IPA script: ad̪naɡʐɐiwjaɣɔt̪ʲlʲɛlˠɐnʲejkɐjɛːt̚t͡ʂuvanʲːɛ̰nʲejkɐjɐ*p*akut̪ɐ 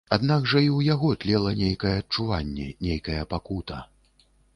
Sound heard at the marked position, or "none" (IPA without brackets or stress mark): p